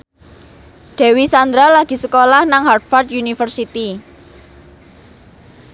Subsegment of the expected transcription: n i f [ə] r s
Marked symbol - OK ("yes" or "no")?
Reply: yes